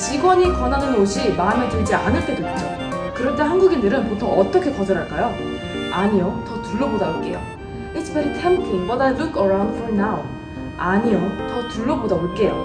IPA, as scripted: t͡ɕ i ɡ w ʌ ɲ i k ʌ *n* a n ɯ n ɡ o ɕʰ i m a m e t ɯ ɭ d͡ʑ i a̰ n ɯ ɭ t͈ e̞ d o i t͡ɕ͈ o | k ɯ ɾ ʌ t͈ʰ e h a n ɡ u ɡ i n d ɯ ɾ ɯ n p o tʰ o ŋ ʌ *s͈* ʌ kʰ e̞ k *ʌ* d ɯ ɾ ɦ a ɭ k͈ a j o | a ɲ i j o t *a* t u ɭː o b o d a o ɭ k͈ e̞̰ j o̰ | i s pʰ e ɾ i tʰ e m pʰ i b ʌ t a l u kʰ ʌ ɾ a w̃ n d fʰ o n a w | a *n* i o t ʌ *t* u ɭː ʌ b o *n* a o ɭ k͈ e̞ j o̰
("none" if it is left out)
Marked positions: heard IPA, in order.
n, t͈, ʌ, ʌ, ɲ, t, d

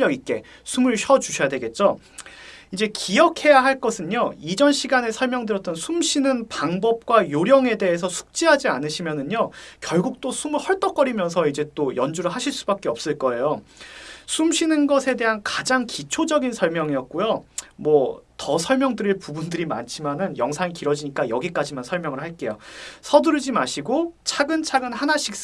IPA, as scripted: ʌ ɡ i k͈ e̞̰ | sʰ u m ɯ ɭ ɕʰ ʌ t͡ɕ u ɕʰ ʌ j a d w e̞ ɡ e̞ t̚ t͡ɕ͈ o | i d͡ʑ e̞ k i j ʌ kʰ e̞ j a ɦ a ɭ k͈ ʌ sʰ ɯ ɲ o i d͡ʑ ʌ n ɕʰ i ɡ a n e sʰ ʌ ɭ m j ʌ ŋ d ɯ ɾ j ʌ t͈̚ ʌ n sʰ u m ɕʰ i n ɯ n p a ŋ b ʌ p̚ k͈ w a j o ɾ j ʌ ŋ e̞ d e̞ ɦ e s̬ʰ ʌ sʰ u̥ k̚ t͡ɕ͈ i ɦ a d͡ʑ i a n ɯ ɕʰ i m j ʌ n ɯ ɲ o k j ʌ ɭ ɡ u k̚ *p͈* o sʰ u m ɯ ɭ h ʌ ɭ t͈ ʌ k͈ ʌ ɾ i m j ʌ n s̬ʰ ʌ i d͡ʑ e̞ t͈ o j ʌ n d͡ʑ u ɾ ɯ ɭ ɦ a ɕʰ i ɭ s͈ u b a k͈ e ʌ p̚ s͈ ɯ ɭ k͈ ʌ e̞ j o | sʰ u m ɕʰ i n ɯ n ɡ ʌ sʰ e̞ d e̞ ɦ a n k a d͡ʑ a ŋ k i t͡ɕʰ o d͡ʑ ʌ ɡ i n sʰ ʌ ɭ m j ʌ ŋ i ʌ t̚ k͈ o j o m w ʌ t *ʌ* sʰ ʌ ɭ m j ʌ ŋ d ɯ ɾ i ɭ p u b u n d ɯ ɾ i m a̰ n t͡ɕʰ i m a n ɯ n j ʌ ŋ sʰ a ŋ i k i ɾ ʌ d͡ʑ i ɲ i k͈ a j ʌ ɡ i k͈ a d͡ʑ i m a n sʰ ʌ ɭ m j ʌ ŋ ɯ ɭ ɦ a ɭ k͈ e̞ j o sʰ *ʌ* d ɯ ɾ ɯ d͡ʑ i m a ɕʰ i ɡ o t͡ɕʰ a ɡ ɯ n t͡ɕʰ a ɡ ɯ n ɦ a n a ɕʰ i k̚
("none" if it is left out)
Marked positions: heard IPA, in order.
t͈, ʌ, ʌ

